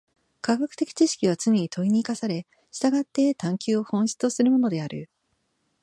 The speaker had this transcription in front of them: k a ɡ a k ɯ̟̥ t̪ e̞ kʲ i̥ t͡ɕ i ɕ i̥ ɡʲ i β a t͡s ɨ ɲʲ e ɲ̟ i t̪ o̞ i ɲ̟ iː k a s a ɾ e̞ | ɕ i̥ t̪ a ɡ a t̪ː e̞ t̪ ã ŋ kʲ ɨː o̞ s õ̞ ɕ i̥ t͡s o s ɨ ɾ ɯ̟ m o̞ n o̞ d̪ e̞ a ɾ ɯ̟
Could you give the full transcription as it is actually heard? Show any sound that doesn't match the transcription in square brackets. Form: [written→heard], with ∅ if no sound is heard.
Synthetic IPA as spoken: k a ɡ a k ɯ̟̥ t̪ e̞ kʲ i̥ t͡ɕ i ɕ i̥ [ɡʲ→kʲ] i β a t͡s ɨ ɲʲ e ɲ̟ i t̪ o̞ i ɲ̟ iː k a s a ɾ e̞ | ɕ i̥ t̪ a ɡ a t̪ː e̞ t̪ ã ŋ kʲ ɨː o̞ [s→h] õ̞ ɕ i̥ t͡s o s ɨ ɾ ɯ̟ m o̞ n o̞ d̪ e̞ a ɾ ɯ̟